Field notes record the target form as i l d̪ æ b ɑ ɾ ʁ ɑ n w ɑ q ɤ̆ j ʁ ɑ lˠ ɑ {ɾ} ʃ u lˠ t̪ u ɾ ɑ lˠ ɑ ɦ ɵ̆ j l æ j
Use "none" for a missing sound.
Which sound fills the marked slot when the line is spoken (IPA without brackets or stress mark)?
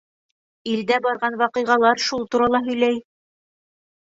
ɾ